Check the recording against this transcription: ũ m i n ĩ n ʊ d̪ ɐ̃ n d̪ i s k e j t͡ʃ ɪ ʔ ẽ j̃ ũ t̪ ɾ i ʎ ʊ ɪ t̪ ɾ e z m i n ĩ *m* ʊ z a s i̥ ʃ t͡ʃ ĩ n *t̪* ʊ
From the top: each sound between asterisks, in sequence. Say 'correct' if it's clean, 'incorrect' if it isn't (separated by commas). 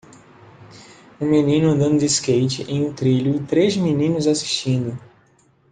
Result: incorrect, incorrect